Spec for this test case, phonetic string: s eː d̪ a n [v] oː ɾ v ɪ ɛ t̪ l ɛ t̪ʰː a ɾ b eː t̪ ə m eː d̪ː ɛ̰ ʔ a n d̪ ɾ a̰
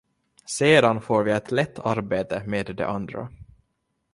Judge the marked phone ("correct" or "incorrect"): incorrect